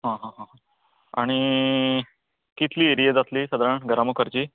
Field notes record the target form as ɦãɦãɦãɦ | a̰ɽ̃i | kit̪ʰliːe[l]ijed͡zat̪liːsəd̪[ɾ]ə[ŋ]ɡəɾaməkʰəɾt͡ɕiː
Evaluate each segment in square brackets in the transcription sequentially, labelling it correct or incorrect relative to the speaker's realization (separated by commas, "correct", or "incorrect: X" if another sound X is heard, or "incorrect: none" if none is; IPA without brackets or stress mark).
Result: incorrect: ɾ, correct, incorrect: ɳ